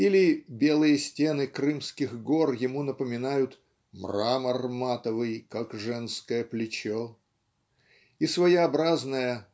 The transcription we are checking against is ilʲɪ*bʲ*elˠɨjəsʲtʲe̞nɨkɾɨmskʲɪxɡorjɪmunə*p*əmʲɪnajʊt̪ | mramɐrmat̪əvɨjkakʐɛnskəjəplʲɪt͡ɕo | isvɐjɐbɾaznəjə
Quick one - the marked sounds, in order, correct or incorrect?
correct, correct

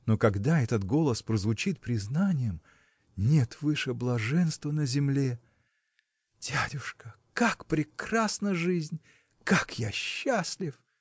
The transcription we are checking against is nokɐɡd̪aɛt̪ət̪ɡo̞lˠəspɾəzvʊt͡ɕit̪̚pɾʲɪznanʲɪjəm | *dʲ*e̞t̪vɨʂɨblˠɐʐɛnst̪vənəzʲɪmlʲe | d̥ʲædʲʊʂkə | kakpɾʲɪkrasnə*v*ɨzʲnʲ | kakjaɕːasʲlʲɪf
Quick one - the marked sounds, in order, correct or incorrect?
incorrect: nʲ, incorrect: ʐ

